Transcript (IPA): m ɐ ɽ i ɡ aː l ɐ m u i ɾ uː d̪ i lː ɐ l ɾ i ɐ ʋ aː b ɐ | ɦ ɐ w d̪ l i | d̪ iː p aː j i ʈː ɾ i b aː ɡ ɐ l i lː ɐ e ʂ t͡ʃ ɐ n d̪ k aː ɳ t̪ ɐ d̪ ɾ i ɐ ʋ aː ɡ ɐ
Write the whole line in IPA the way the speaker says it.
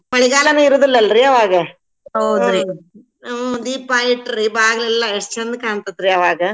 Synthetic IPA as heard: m ɐ ɭ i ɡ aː l ɐ n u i ɾ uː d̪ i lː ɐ l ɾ i ɐ ʋ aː ɡ ɐ | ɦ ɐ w d̪ ɾ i | d̪ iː p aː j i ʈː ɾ i b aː ɡ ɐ l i lː ɐ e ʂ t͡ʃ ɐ n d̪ k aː ɳ t̪ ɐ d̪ ɾ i ɐ ʋ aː ɡ ɐ

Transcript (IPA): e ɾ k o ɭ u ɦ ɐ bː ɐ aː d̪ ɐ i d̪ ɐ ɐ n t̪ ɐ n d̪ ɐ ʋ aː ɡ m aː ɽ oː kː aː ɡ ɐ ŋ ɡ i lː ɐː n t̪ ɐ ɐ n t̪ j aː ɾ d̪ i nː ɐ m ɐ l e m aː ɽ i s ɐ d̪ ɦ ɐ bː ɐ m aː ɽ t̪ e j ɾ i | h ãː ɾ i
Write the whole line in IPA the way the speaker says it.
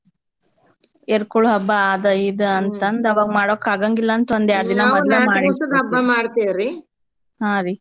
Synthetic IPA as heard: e ɾ k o ɭ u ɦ ɐ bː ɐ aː d̪ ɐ i d̪ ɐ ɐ n t̪ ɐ n d̪ ɐ ʋ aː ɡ m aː ɽ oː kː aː ɡ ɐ ŋ ɡ i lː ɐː n t̪ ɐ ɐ n d̪ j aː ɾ d̪ i n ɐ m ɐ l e m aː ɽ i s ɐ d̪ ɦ ɐ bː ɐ m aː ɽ t̪ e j ɾ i | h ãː ɾ i

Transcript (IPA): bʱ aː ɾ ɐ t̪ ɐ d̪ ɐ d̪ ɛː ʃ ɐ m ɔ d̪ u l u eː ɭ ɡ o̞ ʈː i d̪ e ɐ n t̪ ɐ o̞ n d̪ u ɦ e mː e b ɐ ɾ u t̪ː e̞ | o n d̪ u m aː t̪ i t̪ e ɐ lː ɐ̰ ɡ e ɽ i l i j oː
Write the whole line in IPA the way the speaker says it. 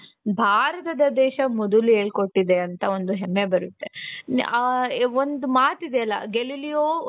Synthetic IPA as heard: bʱ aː ɾ ɐ t̪ ɐ d̪ ɐ d̪ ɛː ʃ ɐ m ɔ d̪ u l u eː ɭ k o̞ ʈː i d̪ e ɐ n t̪ ɐ o̞ n d̪ u ɦ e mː e b ɐ ɾ u t̪ː e̞ | o n d̪ u m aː t̪ i d̪ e ɐ lː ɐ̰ ɡ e l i l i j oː

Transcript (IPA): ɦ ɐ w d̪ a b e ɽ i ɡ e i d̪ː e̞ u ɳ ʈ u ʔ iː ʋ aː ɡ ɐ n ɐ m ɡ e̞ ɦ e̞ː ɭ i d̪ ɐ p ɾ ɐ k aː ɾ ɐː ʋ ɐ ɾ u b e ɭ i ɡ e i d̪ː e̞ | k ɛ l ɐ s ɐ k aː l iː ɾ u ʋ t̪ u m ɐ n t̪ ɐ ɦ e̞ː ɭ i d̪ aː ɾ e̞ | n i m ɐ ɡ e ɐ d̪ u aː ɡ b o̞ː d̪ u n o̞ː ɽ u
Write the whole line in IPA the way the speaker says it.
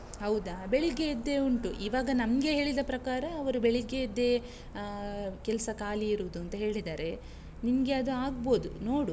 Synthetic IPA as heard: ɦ ɐ w d̪ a b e ɭ i ɡ e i d̪ː e̞ u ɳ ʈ u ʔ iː ʋ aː ɡ ɐ n ɐ m ɡ e̞ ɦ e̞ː ɭ i d̪ ɐ p ɾ ɐ k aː ɾ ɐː ʋ ɐ ɾ u b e ɭ i ɡ e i d̪ː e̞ | k ɛ l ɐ s ɐ k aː l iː ɾ u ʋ d̪ u ɐ n t̪ ɐ ɦ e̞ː ɭ i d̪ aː ɾ e̞ | n i m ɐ ɡ e ɐ d̪ u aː ɡ b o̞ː d̪ u n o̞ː ɽ u

